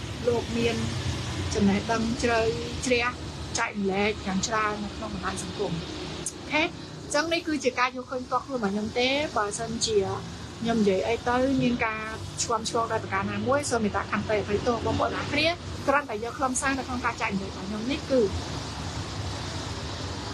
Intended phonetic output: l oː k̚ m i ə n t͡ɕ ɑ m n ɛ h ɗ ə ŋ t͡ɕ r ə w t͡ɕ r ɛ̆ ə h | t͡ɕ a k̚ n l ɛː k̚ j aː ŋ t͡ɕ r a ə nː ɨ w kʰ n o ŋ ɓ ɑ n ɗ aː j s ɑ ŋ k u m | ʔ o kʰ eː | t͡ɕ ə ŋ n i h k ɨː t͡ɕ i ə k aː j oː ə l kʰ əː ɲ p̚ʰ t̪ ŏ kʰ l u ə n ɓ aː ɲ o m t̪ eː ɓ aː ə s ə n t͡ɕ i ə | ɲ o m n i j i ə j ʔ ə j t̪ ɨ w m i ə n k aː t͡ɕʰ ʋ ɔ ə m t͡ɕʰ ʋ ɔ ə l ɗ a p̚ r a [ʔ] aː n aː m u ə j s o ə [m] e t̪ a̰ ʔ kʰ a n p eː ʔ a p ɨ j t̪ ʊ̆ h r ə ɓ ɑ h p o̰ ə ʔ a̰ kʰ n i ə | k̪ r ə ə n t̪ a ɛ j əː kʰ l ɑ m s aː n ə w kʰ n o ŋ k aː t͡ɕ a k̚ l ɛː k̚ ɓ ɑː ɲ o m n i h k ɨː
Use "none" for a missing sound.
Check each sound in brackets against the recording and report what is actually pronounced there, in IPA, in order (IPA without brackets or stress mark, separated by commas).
k, m